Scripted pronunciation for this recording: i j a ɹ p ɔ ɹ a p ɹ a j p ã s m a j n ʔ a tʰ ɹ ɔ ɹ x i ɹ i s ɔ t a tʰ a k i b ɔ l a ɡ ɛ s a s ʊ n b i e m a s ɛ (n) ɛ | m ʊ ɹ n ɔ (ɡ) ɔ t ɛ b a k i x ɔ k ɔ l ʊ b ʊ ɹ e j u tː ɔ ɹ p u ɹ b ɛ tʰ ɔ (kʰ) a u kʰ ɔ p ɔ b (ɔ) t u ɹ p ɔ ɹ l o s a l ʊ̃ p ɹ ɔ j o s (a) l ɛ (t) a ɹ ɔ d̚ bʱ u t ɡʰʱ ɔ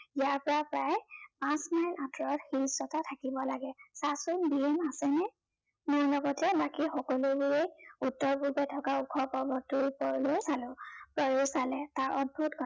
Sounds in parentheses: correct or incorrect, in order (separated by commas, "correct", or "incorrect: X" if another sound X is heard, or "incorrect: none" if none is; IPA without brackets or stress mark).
correct, correct, incorrect: k, correct, correct, correct